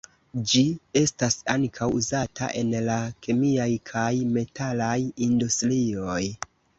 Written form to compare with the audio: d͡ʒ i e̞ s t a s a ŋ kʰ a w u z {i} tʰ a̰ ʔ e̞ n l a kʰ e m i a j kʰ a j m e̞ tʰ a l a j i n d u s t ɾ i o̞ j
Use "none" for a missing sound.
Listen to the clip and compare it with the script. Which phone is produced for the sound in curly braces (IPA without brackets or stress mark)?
a